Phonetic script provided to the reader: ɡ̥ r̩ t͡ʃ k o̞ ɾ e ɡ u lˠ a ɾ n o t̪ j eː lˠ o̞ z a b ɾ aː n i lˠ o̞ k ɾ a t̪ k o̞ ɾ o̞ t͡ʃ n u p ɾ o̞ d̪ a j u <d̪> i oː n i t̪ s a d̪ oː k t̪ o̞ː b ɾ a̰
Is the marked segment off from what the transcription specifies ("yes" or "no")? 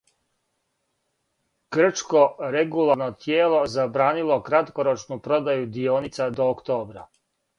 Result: no